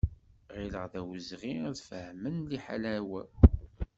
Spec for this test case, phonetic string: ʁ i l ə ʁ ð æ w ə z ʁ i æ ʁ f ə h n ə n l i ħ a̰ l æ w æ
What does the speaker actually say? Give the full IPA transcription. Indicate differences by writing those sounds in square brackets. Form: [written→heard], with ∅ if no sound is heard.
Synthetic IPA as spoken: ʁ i l ə ʁ ð æ w ə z ʁ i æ [ʁ→ð] f ə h [n→m] ə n l i ħ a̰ l æ w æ